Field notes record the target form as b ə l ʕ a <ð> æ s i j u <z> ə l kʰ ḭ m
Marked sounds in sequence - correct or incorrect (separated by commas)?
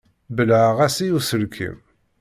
incorrect, incorrect